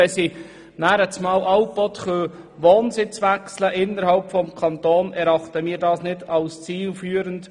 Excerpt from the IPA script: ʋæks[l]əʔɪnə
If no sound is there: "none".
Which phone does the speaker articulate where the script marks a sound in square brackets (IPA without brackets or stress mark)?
l